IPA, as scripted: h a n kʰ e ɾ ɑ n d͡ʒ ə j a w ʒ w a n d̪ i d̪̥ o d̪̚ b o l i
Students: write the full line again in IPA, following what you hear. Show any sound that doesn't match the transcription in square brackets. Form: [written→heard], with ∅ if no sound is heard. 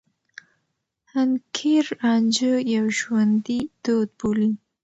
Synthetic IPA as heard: h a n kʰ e ɾ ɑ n d͡ʒ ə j a w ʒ w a n d̪ i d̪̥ o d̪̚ b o l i